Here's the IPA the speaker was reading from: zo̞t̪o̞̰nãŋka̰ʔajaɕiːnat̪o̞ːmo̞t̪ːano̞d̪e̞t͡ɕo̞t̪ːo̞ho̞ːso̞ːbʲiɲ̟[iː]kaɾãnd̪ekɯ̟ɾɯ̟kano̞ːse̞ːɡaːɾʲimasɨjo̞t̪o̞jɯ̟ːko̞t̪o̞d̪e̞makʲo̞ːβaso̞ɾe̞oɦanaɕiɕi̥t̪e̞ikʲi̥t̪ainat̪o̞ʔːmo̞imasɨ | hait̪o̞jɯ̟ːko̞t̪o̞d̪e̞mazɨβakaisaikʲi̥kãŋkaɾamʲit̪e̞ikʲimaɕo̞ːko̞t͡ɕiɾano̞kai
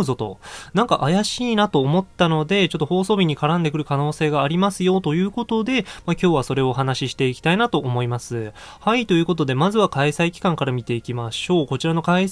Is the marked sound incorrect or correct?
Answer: incorrect